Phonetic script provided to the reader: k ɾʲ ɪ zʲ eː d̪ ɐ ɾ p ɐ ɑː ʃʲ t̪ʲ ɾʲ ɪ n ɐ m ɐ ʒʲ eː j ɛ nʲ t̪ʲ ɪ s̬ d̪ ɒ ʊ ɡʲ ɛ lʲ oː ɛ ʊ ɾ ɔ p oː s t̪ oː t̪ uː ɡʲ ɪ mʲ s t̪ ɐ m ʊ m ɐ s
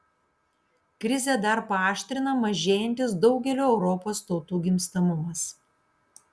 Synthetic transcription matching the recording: k ɾʲ ɪ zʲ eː d̪ ɐ ɾ p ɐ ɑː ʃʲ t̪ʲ ɾʲ ɪ n ɐ m ɐ ʒʲ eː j ɛ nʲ t̪ʲ ɪ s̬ d̪ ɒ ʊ ɡʲ ɛ lʲ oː ɛ ʊ ɾ ɔ p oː s t̪ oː t̪ uː ɡʲ ɪ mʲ s t̪ ɐ m ʊ m ɐ s